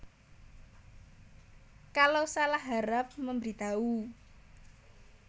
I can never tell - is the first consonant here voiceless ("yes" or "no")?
yes